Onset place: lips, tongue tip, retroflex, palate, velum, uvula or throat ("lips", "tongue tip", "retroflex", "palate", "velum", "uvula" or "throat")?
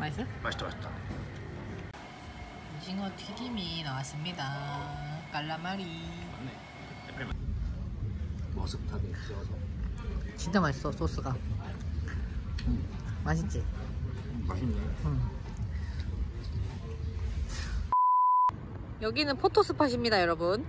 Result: lips